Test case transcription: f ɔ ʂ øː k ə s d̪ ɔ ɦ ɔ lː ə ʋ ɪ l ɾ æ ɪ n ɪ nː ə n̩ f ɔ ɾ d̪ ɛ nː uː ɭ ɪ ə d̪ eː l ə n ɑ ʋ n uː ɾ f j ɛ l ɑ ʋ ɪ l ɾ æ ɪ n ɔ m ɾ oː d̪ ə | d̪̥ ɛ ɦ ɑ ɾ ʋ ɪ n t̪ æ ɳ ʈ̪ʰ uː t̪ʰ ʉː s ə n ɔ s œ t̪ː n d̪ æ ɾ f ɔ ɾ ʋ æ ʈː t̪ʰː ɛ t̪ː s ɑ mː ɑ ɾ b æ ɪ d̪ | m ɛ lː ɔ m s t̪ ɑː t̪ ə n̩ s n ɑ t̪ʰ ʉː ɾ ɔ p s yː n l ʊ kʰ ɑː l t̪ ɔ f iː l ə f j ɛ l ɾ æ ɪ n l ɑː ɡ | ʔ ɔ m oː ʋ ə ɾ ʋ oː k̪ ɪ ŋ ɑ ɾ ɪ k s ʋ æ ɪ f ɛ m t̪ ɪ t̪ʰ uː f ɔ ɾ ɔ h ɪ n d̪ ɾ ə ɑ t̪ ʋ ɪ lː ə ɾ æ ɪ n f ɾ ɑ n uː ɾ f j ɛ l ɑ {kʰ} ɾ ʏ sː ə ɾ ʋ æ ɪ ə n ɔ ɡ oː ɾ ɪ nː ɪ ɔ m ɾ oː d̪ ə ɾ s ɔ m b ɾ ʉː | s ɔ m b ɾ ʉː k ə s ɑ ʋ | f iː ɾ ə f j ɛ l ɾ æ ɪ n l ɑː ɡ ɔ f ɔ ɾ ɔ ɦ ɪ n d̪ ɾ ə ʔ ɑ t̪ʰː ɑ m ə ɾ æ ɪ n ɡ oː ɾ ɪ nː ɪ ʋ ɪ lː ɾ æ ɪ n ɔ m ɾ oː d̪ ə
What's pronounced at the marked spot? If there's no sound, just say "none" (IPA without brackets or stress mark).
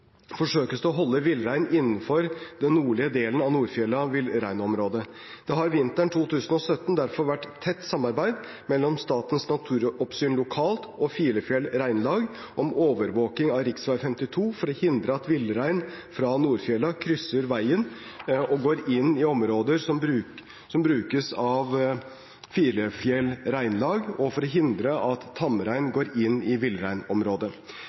kʰ